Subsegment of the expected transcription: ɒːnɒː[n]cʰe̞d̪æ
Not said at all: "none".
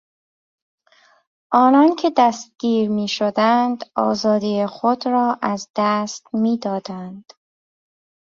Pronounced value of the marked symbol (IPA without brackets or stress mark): n